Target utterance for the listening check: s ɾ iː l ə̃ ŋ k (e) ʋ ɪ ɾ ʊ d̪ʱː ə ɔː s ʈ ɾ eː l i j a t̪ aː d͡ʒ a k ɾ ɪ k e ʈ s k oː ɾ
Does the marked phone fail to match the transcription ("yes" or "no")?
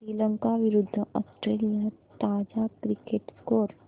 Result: yes